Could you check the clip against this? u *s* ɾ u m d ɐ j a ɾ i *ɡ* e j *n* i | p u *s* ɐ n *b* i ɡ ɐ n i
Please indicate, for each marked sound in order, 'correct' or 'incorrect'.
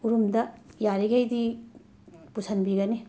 incorrect: none, correct, incorrect: d, correct, correct

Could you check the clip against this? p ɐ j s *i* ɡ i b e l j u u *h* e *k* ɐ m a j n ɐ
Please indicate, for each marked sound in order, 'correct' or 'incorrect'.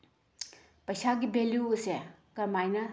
incorrect: a, incorrect: s, correct

